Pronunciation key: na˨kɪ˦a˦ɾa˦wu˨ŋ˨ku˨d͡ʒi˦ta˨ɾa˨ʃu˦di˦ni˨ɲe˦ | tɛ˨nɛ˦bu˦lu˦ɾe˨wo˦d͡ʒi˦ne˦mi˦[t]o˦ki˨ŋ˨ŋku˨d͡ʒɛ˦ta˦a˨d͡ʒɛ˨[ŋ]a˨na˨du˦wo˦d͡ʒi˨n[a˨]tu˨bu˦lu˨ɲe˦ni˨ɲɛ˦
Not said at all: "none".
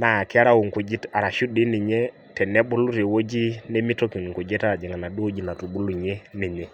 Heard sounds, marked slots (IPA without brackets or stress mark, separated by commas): t, ŋ, a˨